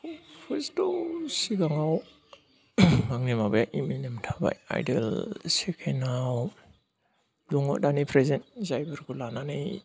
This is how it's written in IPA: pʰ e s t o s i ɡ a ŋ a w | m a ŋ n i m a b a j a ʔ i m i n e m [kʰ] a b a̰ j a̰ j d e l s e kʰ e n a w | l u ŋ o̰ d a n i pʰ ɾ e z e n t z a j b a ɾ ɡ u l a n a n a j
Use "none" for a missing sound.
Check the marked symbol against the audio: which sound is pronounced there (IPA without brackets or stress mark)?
tʰ